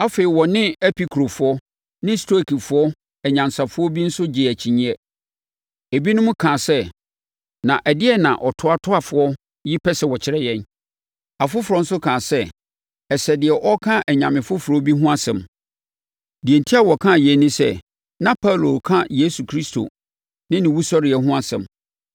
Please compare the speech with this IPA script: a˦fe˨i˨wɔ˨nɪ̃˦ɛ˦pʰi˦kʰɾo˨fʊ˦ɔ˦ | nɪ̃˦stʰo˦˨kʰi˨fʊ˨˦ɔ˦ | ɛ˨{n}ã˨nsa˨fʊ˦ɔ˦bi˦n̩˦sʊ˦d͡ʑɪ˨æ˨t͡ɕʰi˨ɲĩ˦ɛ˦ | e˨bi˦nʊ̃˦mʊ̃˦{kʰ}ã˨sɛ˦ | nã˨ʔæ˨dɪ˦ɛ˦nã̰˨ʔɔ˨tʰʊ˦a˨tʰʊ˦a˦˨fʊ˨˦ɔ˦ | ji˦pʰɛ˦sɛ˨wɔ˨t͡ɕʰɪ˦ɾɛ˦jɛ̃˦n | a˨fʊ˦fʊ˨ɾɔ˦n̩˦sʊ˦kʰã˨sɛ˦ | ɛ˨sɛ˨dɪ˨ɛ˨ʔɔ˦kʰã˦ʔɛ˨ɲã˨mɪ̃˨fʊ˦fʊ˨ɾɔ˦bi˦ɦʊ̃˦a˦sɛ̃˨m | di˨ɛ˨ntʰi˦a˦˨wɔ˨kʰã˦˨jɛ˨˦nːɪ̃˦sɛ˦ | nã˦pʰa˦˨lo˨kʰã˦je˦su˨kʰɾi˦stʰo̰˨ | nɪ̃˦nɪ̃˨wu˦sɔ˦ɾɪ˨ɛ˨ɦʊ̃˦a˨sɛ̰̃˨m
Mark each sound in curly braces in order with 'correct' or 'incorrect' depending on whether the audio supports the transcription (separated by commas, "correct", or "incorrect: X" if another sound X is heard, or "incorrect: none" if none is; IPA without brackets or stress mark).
incorrect: ɲ, correct